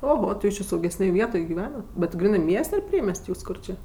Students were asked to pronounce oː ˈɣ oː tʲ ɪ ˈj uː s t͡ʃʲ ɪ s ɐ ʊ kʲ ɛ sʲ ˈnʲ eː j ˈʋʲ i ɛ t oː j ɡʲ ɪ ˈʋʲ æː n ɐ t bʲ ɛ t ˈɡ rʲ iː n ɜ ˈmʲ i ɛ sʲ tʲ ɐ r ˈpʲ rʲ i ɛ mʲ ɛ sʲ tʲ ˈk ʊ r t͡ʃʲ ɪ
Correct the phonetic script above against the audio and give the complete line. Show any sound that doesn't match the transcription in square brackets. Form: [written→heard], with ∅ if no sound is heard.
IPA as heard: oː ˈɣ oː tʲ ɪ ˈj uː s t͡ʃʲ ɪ s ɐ ʊ [kʲ→ɡʲ] ɛ sʲ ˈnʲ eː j ˈʋʲ i ɛ t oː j ɡʲ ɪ ˈʋʲ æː n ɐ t bʲ ɛ t ˈɡ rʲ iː n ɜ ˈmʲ i ɛ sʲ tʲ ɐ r ˈpʲ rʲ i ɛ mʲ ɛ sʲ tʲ ˈk ʊ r t͡ʃʲ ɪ